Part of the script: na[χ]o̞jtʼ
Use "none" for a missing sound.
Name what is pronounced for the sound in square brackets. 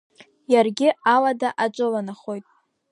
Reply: χ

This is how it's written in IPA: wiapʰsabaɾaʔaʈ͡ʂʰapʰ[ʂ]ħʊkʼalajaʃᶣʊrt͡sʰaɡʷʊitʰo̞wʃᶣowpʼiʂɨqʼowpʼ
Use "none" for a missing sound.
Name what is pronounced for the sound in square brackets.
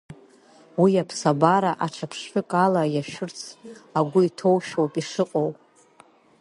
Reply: ʂ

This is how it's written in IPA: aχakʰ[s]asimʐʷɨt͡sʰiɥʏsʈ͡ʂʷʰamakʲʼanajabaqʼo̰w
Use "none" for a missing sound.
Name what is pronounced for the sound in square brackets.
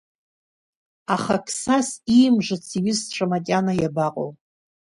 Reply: s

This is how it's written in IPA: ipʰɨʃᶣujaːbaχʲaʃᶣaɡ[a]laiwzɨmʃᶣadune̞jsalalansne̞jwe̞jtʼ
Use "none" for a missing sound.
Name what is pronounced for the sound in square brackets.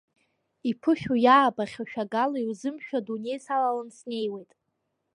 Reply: a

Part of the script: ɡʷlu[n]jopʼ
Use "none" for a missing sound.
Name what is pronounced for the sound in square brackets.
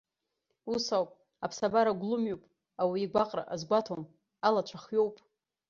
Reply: m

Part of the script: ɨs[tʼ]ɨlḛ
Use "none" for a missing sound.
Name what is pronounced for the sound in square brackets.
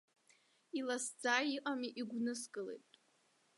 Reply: kʼ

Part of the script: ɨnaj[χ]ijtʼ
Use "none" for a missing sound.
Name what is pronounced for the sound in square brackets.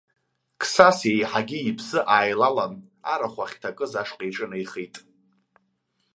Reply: χ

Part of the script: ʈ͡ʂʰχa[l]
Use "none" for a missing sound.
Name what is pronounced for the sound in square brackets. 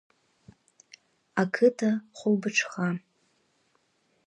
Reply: none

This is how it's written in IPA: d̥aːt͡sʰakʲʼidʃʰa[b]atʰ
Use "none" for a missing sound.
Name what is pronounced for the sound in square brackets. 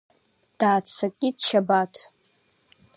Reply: b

